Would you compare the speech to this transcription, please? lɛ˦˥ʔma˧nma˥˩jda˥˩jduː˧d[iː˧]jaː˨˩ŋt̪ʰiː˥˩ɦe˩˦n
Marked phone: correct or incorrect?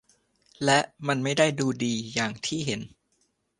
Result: correct